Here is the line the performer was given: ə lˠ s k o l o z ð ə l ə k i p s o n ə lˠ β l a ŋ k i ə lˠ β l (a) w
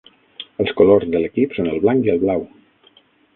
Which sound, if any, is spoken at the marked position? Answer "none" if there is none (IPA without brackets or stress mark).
a